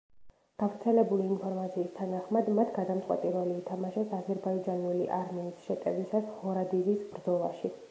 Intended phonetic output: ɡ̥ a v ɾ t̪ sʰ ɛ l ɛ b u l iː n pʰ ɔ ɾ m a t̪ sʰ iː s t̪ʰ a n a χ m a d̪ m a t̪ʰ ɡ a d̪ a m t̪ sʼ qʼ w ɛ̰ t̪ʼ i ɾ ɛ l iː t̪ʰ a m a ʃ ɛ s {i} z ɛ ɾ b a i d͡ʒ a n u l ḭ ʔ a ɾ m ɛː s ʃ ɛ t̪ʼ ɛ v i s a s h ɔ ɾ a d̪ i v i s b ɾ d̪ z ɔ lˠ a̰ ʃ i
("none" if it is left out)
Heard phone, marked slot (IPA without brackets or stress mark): a